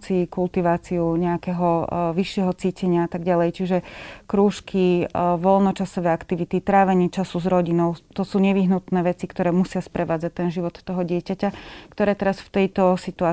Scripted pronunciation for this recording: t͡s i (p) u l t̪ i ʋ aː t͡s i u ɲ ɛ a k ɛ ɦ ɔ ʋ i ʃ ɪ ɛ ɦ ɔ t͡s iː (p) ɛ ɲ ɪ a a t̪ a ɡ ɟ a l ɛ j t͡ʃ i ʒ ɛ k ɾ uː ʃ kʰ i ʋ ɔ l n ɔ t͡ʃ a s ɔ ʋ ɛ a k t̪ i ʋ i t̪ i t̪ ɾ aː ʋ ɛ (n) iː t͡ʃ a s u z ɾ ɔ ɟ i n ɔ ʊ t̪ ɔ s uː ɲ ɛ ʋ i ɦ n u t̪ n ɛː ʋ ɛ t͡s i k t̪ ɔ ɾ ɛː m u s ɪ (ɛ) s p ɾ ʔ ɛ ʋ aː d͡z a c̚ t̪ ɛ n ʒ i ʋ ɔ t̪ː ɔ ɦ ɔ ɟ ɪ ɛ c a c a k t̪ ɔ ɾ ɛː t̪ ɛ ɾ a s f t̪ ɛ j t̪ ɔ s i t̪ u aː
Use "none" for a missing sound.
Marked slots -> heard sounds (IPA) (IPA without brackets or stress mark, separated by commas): k, c, ɲ, a